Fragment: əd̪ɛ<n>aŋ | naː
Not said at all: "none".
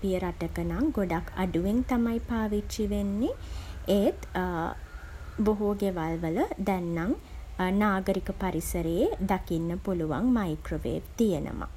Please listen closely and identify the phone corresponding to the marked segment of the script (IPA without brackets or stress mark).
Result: nː